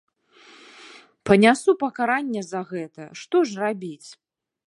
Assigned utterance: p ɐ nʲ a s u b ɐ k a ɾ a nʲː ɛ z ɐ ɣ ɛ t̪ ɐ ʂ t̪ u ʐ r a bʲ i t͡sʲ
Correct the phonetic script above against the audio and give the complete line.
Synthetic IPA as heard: p ɐ nʲ a s u p ɐ k a ɾ a nʲː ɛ z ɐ ɣ ɛ t̪ ɐ ʂ t̪ ɔ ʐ r a bʲ i t͡sʲ